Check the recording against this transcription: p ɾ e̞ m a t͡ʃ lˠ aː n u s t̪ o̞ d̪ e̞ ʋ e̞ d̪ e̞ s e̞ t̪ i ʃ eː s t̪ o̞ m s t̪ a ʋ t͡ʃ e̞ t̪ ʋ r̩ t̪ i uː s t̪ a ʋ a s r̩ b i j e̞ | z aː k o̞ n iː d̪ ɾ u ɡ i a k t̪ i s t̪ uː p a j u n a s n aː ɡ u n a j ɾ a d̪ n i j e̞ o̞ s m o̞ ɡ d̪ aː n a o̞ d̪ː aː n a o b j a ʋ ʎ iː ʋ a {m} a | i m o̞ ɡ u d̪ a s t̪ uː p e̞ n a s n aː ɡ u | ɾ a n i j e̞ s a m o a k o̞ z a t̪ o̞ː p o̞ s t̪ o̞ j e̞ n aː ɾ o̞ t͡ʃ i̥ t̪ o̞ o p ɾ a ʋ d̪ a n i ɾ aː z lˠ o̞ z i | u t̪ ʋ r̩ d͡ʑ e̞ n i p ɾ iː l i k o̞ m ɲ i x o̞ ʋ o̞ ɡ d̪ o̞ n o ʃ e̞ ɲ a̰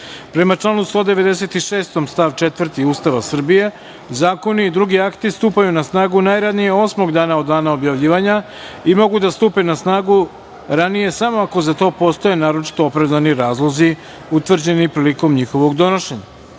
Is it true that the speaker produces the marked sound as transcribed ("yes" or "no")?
no